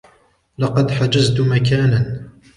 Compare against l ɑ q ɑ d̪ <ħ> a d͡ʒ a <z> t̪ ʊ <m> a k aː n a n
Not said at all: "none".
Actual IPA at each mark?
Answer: ħ, z, m

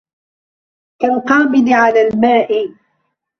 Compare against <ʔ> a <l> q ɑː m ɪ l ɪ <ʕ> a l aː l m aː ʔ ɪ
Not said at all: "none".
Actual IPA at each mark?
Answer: k, l, ʕ

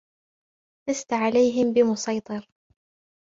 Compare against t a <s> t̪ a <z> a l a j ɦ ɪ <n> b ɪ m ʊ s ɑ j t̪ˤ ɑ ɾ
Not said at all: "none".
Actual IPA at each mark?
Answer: s, ʕ, m

